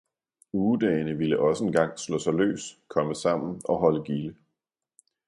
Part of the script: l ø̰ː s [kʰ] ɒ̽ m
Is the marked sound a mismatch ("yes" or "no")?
no